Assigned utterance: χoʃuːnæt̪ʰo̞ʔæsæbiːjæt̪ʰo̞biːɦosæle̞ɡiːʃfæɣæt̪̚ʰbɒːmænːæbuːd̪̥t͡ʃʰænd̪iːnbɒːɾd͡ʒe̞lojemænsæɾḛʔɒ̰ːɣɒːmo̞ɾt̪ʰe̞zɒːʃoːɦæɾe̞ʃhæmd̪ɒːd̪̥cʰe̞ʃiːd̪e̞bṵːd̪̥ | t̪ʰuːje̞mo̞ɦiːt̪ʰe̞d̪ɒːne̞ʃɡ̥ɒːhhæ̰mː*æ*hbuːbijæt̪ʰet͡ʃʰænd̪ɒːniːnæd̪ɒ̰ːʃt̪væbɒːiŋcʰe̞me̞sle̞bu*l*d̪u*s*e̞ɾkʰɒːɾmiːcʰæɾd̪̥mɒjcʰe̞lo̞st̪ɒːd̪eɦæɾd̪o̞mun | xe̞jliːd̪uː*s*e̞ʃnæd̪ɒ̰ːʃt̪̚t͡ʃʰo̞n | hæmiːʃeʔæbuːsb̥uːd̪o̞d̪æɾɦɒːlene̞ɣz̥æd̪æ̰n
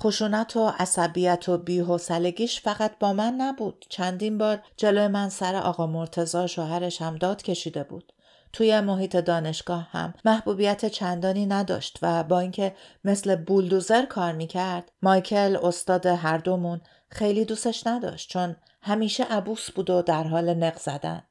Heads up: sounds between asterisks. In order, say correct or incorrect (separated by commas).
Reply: correct, correct, incorrect, correct